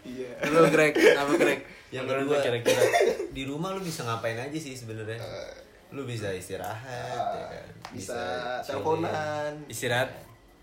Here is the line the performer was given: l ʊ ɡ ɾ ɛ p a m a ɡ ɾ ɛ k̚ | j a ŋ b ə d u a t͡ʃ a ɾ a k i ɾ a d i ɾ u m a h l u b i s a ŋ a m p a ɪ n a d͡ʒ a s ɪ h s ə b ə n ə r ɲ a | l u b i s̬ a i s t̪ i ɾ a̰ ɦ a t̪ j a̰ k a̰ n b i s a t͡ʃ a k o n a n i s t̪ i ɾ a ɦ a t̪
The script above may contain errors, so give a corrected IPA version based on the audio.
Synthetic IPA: l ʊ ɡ ɾ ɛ k a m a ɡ ɾ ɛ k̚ | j a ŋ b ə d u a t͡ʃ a ɾ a k i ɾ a d i ɾ u m a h l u b i s a ŋ a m p a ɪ n a d͡ʒ a s ɪ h s ə b ə n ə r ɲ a | l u b i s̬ a i s t̪ i ɾ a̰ ɦ a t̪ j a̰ k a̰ n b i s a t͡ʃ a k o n a n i s t̪ i ɾ a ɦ a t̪